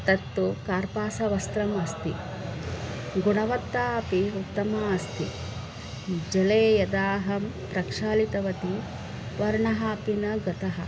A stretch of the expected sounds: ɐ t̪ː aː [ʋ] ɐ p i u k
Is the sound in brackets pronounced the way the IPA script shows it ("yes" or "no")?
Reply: no